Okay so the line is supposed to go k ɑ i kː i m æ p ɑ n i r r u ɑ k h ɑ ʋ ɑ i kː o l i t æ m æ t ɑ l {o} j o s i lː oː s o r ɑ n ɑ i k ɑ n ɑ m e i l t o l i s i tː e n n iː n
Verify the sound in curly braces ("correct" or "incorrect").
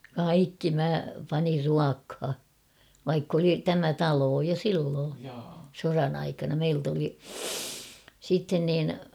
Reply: incorrect